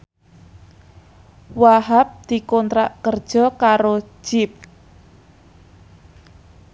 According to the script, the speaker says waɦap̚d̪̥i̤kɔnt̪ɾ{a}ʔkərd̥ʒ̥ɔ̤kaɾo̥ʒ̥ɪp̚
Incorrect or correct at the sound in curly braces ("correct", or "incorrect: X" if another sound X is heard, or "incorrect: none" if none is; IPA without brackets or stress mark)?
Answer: correct